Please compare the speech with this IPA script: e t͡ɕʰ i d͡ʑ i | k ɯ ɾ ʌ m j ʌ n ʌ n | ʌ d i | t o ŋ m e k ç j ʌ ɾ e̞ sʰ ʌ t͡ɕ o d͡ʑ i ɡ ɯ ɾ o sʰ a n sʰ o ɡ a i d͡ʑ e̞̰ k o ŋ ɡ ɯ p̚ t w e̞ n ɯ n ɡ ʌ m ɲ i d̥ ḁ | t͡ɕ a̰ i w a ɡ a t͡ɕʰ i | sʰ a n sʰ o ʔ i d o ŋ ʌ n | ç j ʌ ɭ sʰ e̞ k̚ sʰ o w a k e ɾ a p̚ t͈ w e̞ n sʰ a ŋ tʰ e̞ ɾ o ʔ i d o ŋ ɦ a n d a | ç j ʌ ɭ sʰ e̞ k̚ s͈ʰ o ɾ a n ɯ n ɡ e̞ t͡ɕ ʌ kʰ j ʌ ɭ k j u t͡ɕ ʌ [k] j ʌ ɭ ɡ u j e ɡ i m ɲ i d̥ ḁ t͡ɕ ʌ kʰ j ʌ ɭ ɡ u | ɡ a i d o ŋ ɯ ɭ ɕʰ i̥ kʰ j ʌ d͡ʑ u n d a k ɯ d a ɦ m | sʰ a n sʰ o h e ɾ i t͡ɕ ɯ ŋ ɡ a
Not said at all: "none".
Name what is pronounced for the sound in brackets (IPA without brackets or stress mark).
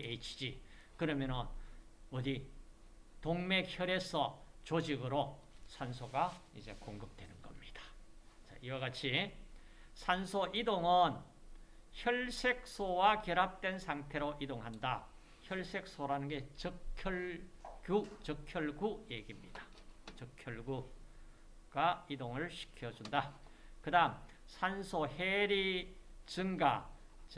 kʰ